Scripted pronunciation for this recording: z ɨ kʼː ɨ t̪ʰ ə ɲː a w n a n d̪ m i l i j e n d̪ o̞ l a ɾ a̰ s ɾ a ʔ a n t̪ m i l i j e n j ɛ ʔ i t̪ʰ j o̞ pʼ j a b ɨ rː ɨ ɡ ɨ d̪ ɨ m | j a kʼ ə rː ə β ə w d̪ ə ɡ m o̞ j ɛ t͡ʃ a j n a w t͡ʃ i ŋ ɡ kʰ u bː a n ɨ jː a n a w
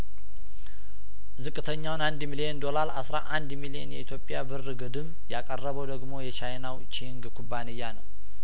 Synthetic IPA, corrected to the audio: z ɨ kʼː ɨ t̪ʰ ə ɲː a w n a n d̪ m i l i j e n d̪ o̞ l a ɾ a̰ s ɾ a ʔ a n d̪ m i l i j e n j ɛ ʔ i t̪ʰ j o̞ pʼ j a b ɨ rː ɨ ɡ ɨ d̪ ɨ m | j a kʼ ə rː ə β ə w d̪ ə ɡ m o̞ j ɛ t͡ʃ a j n a w t͡ʃ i ŋ ɡ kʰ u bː a n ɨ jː a n ə w